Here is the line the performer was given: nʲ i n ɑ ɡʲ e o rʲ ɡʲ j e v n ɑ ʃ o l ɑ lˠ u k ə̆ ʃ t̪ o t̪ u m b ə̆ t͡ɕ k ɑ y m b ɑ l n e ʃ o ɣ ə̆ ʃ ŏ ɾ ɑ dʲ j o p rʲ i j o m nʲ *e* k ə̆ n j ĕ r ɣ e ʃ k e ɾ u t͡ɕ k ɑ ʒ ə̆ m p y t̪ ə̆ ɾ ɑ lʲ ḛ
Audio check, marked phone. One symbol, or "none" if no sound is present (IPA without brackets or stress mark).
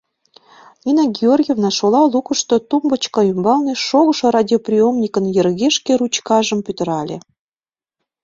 i